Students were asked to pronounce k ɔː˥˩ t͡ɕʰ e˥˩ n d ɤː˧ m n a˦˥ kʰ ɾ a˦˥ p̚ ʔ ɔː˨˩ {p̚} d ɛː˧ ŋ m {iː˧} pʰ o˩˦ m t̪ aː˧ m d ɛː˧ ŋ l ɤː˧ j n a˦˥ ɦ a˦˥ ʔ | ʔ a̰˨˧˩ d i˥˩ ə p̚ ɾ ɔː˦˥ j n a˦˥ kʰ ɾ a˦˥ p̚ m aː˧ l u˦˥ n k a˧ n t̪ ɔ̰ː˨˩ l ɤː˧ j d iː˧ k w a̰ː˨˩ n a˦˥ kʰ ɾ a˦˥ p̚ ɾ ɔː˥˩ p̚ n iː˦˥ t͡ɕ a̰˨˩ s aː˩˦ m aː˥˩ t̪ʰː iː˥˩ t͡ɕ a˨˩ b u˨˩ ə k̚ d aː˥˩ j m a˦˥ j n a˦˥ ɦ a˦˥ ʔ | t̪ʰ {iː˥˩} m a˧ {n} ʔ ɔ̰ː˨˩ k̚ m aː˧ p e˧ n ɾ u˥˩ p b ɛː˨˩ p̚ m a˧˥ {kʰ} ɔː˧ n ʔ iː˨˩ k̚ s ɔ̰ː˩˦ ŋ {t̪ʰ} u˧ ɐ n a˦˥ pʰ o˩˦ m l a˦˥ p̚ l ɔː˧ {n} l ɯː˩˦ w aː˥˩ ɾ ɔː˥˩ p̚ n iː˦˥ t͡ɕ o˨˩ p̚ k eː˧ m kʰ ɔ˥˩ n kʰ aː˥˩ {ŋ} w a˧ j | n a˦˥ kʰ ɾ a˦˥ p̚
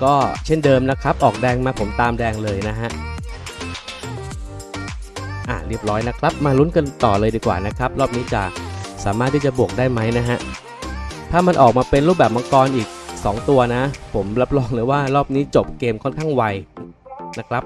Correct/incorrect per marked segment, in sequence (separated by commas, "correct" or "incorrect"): incorrect, incorrect, incorrect, correct, incorrect, incorrect, incorrect, correct